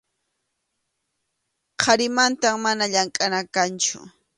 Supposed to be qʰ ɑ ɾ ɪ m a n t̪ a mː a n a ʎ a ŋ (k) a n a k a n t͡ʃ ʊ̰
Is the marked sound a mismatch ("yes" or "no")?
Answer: yes